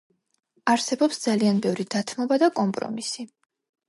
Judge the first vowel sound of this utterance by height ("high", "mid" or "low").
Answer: low